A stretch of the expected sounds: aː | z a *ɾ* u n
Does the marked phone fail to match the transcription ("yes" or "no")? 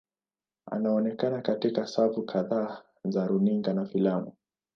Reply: no